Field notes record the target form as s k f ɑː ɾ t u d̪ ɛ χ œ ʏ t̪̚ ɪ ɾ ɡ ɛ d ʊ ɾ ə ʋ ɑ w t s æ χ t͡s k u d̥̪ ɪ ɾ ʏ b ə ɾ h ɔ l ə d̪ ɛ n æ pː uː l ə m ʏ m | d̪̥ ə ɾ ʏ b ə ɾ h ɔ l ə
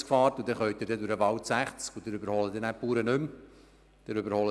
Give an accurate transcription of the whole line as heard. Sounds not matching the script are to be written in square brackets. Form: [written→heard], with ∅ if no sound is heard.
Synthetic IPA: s k f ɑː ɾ t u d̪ ɛ χ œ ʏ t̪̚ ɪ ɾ [ɡ→d] ɛ d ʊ ɾ ə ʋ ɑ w t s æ χ t͡s k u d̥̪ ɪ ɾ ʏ b ə ɾ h ɔ l ə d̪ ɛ n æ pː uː [l→ɾ] ə [m→n] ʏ m | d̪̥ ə ɾ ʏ b ə ɾ h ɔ l ə